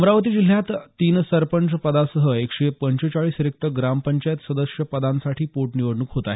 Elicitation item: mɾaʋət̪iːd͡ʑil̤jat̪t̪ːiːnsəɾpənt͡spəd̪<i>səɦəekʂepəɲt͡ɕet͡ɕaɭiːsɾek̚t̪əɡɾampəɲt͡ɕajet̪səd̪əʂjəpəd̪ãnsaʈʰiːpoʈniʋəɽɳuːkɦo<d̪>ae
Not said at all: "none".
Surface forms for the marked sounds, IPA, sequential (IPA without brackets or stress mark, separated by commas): a, t̪